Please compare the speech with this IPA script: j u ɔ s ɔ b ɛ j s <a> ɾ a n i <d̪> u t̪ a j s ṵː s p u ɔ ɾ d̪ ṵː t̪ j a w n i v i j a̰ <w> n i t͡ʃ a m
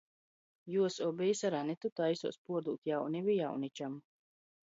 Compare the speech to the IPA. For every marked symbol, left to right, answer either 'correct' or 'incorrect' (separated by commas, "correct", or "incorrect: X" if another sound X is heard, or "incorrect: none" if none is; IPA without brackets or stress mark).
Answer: correct, incorrect: t̪, correct